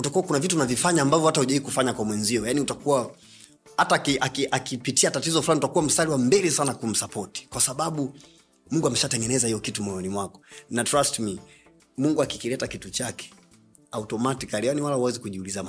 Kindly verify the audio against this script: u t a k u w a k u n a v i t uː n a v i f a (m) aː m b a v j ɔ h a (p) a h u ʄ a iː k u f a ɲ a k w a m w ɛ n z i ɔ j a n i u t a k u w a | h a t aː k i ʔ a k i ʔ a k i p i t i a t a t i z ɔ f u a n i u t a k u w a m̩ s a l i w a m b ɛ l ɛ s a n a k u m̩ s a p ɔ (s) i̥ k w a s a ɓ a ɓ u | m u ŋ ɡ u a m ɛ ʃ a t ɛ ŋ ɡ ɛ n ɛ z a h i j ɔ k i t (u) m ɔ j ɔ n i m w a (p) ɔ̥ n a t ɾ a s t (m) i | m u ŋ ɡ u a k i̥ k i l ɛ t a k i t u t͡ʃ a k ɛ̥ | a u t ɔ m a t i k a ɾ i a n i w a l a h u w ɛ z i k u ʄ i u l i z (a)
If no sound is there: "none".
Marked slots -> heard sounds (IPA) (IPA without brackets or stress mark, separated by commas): ɲ, t, t, u, k, m, a